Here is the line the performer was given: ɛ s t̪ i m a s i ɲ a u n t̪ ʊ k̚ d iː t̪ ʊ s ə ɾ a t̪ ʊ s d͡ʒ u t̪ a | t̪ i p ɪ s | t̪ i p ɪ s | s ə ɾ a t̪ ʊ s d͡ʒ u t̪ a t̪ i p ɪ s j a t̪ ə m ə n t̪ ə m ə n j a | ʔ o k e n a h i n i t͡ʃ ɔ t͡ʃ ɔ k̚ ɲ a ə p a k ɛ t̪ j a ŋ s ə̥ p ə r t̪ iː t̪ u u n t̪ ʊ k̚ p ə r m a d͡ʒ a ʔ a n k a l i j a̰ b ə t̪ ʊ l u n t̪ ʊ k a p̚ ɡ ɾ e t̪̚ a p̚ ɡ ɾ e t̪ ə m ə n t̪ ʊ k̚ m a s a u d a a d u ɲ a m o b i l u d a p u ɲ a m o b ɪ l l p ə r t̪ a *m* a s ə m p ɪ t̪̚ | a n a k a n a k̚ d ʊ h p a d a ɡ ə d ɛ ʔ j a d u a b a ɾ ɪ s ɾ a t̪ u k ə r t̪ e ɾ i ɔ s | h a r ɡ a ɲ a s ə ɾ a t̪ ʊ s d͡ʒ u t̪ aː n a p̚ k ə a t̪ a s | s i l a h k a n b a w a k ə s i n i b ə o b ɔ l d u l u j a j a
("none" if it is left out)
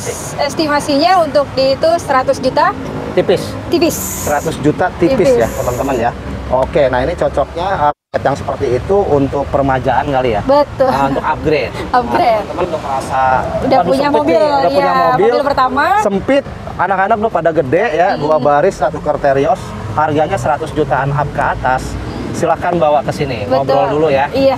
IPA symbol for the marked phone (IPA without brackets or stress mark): m